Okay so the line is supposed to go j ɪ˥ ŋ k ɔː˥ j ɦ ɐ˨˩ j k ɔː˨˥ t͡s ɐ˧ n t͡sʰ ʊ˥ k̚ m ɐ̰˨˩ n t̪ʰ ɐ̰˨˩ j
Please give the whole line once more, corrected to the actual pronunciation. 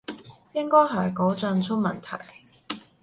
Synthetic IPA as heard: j ɪ˥ ŋ k ɔː˥ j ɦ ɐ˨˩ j k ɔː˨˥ t͡s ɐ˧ n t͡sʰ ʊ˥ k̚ m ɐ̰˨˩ n t̪ʰ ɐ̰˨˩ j